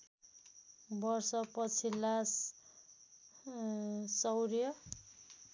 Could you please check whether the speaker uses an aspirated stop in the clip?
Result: yes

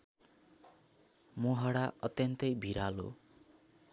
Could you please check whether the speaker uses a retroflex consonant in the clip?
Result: yes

